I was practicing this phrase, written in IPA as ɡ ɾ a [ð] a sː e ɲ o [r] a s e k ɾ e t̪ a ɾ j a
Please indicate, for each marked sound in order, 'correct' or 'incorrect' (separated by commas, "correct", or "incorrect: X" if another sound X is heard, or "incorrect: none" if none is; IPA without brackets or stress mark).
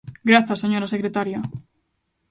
incorrect: θ, incorrect: ɾ